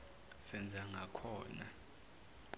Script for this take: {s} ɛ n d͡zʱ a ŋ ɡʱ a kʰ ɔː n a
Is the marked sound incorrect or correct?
correct